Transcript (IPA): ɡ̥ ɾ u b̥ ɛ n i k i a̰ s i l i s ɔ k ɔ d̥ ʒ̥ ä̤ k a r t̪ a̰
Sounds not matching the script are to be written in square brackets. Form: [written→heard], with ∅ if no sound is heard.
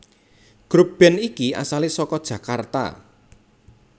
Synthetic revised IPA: ɡ̥ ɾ u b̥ ɛ n i k i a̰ s [i→a] l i s ɔ k ɔ d̥ ʒ̥ ä̤ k a r t̪ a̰